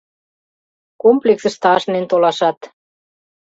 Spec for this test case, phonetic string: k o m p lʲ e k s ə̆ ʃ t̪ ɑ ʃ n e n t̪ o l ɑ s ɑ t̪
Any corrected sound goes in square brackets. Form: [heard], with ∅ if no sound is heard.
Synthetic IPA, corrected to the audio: k o m p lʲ e k s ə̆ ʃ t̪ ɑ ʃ n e n t̪ o l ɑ [ʃ] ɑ t̪